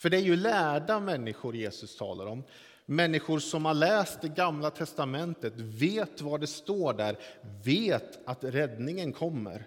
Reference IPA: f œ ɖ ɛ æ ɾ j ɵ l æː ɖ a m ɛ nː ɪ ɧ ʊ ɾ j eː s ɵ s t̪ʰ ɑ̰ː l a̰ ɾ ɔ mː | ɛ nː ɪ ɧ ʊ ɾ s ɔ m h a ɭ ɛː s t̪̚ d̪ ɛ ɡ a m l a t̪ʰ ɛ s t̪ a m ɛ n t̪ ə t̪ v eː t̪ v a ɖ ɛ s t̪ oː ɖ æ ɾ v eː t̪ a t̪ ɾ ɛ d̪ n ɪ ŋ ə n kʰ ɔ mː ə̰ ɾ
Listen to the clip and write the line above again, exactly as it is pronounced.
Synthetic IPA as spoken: f œ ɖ ɛ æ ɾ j ɵ l æː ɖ a m ɛ nː ɪ ɧ ʊ ɾ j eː s ɵ s t̪ʰ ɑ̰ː l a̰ ɾ ɔ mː | ɛ nː ɪ ɧ ʊ ɾ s ɔ m h a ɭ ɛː s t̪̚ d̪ ɛ ɡ a m l a t̪ʰ ɛ s t̪ a m ɛ n t̪ ə t̪ v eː t̪ v a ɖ ɛ s t̪ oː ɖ æ ɾ v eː t̪ a t̪ ɾ ɛ d̪ n ɪ ŋ ə n kʰ ɔ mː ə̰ ɾ